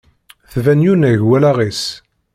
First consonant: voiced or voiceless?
voiceless